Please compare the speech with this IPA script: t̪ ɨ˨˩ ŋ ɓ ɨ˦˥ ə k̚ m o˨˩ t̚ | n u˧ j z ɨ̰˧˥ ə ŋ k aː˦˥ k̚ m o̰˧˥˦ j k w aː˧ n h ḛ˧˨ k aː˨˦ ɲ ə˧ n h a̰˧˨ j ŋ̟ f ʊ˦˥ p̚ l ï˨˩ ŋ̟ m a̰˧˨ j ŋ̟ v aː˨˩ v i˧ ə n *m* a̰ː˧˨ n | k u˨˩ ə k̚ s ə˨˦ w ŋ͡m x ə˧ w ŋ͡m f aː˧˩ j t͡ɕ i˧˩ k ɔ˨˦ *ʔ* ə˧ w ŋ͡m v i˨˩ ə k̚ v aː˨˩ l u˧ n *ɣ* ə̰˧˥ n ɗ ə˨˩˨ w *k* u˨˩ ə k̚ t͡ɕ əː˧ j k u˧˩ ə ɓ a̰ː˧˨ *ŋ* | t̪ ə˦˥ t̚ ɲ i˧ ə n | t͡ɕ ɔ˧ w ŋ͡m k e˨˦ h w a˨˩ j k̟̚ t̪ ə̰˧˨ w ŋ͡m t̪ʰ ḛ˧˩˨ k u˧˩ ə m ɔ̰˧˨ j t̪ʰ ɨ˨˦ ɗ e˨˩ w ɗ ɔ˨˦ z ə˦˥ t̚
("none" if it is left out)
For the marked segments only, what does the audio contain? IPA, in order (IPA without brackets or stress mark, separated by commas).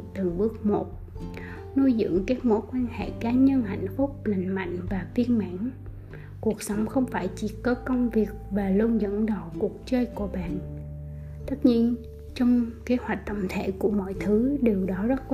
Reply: m, k, z, k, n